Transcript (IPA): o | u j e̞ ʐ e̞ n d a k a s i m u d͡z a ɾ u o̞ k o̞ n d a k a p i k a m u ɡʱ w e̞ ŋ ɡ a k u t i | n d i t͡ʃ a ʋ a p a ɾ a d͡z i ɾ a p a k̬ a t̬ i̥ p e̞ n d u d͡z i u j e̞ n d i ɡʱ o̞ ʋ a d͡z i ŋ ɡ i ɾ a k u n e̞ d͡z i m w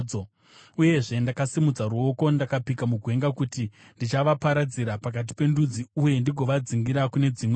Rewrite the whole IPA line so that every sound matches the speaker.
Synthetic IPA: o | u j e̞ ʐ e̞ n d a k a s i m u d͡z a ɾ u o̞ k o̞ n d a k a p i k a m u ɡʱ w e̞ ŋ ɡ a k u t i | n d i t͡ʃ a ʋ a p a ɾ a d͡z i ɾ a p a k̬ a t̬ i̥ p e̞ n d u d͡z i u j e̞ n d i ɡʱ o̞ ʋ a d͡z i ŋ ɡ i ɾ a k u n e̞ d͡z i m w